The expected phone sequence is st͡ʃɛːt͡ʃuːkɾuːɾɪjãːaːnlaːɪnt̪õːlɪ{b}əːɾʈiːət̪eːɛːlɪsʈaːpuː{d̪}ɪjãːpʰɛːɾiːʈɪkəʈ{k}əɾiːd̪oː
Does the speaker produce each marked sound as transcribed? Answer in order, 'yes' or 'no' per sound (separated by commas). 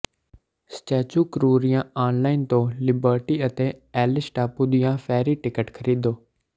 yes, yes, no